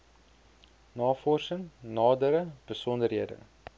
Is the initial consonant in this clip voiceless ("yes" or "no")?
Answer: no